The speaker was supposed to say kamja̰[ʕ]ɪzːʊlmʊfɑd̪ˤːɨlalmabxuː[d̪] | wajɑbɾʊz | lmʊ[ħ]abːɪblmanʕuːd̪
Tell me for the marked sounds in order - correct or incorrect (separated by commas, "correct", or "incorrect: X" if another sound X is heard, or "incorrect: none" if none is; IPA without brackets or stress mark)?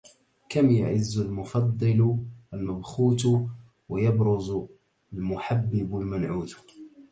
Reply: correct, incorrect: t̪, correct